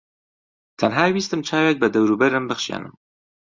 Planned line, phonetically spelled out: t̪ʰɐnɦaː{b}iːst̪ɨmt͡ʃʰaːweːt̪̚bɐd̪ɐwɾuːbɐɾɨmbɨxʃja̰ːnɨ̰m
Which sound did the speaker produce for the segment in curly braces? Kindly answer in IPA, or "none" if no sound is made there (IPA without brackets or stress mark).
w